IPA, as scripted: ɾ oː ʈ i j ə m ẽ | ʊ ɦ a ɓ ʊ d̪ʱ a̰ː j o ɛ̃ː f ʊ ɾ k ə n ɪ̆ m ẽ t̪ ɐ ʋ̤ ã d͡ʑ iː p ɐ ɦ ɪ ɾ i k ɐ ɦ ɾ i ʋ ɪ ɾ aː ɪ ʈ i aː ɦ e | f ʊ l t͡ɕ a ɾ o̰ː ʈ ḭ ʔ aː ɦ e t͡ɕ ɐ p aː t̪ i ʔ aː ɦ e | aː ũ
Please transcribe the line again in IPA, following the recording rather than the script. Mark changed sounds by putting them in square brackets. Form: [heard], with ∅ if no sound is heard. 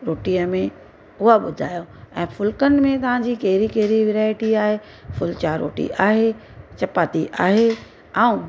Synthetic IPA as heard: ɾ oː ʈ i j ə m ẽ | ʊ ɦ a ɓ ʊ d̪ʱ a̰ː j o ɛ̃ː f ʊ [l] k ə n ɪ̆ m ẽ t̪ ɐ ʋ̤ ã d͡ʑ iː [k] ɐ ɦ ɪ ɾ i k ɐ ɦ ɾ i ʋ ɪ ɾ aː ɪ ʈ i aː ɦ e | f ʊ l t͡ɕ a ɾ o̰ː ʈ ḭ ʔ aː ɦ e t͡ɕ ɐ p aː t̪ i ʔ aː ɦ e | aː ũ

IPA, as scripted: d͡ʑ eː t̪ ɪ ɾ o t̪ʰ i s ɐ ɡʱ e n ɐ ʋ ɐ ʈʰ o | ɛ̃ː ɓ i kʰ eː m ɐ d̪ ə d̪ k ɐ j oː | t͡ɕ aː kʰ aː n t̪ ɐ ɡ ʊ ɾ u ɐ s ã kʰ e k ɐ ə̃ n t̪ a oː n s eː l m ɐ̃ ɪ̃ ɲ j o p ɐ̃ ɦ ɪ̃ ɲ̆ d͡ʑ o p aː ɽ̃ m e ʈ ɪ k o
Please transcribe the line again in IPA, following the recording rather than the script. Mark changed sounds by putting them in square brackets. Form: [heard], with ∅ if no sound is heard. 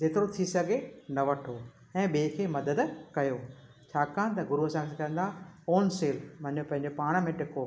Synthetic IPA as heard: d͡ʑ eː t̪ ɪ ɾ o t̪ʰ i s ɐ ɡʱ e n ɐ ʋ ɐ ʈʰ o | ɛ̃ː ɓ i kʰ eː m ɐ d̪ ə d̪ k ɐ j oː | [t͡ɕʰ] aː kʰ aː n t̪ ɐ ɡ ʊ ɾ u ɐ s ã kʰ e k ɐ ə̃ n [d̪] a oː n s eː l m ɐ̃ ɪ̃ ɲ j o p ɐ̃ ɦ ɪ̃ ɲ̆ d͡ʑ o p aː ɽ̃ m [ẽ] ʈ ɪ k o

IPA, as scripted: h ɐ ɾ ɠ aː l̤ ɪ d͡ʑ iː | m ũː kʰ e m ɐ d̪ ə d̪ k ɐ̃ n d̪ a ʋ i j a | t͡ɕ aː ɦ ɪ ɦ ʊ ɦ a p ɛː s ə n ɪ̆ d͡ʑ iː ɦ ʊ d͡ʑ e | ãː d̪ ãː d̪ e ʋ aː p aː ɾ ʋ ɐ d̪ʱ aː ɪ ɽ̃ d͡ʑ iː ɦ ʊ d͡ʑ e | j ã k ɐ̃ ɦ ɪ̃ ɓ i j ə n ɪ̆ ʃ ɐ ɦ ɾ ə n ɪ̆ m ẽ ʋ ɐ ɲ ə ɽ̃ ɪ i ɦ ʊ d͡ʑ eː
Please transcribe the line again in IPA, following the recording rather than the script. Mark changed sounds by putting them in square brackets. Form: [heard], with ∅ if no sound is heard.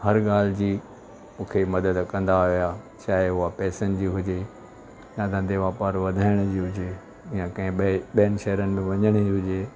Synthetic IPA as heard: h ɐ ɾ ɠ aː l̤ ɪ d͡ʑ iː | m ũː kʰ e m ɐ d̪ ə d̪ k ɐ̃ n d̪ a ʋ i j a | t͡ɕ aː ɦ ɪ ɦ ʊ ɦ a p ɛː s ə n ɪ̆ d͡ʑ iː ɦ ʊ d͡ʑ e | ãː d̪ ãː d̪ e ʋ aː p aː ɾ ʋ ɐ d̪ʱ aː ɪ ɽ̃ d͡ʑ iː ɦ ʊ d͡ʑ e | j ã k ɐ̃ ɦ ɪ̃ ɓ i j ə n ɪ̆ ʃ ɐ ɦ ɾ ə n ɪ̆ m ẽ ʋ ɐ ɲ ə ɽ̃ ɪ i ɦ ʊ d͡ʑ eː

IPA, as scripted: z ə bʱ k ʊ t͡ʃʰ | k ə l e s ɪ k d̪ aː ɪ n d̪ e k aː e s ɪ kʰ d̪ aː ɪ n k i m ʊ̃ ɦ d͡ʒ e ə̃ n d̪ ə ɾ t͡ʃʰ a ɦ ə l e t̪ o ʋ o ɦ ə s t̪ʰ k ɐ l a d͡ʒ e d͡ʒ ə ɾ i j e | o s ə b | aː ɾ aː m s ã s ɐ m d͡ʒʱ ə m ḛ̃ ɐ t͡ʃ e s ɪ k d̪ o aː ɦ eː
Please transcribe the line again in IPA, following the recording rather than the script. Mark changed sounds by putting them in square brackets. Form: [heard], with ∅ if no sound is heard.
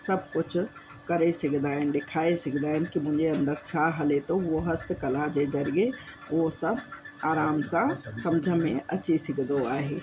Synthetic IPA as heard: [s] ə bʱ k ʊ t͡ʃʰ | k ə [ɾ] e s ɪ k d̪ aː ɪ n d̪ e [kʰ] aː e s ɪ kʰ d̪ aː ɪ n k i m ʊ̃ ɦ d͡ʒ e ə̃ n d̪ ə ɾ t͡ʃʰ a ɦ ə l e t̪ o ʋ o ɦ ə s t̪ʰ k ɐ l a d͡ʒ e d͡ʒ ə ɾ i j e | o s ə b | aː ɾ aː m s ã s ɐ m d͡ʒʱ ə m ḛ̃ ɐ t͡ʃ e s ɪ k d̪ o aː ɦ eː

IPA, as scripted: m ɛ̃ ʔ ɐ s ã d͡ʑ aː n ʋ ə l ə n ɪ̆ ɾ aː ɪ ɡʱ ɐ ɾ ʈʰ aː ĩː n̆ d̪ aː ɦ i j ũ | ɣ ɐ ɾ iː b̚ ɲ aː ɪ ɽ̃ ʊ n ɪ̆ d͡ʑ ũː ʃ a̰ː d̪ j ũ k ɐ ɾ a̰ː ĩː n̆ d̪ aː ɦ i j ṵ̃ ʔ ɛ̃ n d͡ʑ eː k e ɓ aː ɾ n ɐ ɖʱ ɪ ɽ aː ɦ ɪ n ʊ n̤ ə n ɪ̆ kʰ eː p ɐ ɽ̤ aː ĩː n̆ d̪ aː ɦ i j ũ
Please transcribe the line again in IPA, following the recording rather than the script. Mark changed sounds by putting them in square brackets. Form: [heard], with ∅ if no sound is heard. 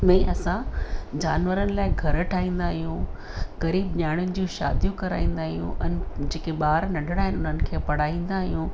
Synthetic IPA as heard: m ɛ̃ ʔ ɐ s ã d͡ʑ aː n ʋ ə [ɾ] ə n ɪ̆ [l] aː ɪ ɡʱ ɐ ɾ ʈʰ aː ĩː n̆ d̪ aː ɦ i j ũ | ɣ ɐ ɾ iː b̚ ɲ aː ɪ ɽ̃ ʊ n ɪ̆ d͡ʑ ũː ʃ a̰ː d̪ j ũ k ɐ ɾ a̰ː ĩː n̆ d̪ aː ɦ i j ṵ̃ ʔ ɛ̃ n d͡ʑ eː k e ɓ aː ɾ n ɐ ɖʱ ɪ ɽ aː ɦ ɪ n ʊ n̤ ə n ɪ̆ kʰ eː p ɐ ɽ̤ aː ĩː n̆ d̪ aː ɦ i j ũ

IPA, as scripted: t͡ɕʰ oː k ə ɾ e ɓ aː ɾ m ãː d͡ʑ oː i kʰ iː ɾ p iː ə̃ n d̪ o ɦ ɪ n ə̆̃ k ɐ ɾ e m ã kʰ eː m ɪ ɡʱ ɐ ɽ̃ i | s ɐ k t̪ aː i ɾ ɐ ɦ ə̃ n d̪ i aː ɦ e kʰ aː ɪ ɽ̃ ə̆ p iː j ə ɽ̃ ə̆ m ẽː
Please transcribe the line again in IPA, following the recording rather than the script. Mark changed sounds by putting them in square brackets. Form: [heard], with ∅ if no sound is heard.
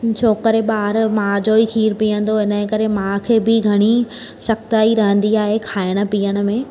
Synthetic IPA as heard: t͡ɕʰ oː k ə ɾ e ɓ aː ɾ m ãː d͡ʑ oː i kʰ iː ɾ p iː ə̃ n d̪ o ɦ ɪ n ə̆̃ k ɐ ɾ e m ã kʰ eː [b] ɪ ɡʱ ɐ ɽ̃ i | s ɐ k t̪ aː i ɾ ɐ ɦ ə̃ n d̪ i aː ɦ e kʰ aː ɪ ɽ̃ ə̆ p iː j ə ɽ̃ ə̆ m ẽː

